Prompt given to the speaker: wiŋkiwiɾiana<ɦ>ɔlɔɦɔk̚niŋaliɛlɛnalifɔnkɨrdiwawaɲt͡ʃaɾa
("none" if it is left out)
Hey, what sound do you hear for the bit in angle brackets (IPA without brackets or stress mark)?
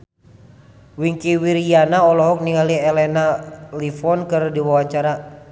none